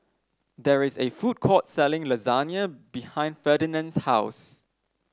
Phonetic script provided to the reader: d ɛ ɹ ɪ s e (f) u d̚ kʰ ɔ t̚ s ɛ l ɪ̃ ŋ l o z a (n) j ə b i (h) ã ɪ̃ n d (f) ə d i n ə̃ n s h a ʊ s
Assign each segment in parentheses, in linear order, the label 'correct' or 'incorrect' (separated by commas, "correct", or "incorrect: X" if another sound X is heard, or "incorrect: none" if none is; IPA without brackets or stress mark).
correct, correct, correct, correct